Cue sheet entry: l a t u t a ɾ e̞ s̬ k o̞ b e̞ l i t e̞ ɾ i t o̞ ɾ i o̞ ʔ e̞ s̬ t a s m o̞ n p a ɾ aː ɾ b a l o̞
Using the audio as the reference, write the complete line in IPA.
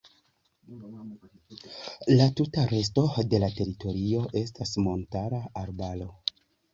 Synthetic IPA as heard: l a t u t a ɾ e̞ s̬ t o̞ d e̞ l a t e̞ ɾ i t o̞ ɾ i o̞ ʔ e̞ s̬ t a s m o̞ n t a ɾ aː ɾ b a l o̞